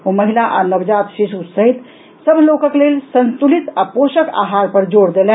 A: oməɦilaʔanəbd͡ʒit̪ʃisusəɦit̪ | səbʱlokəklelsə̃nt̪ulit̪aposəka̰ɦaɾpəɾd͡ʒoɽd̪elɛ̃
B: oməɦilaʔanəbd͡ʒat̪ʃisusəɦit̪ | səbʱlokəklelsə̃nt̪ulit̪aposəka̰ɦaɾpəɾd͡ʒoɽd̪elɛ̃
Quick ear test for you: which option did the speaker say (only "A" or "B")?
B